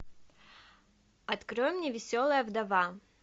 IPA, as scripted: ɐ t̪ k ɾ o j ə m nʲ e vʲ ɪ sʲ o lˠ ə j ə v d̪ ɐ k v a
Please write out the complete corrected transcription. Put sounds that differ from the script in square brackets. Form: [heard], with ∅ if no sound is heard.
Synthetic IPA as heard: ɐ t̪ k ɾ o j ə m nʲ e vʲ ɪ sʲ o lˠ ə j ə v d̪ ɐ [∅] v a